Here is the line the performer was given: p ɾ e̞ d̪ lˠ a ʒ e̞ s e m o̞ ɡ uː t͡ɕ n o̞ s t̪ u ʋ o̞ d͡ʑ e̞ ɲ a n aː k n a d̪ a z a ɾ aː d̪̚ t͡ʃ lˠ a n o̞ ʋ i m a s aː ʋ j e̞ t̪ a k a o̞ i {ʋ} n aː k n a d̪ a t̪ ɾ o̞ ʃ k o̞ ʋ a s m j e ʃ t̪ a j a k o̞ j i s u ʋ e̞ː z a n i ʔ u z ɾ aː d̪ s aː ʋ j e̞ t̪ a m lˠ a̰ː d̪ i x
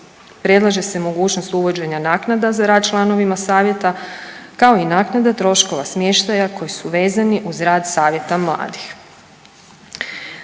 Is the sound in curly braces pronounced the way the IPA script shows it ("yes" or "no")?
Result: no